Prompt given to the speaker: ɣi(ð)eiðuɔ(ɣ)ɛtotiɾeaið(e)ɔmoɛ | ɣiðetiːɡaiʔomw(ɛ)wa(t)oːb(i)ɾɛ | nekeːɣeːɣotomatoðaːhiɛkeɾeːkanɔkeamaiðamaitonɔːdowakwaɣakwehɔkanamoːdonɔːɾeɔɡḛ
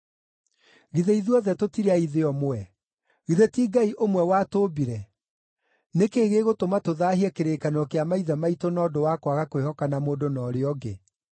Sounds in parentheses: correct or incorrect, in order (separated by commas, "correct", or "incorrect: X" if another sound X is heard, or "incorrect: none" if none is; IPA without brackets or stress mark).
correct, incorrect: ð, correct, correct, correct, correct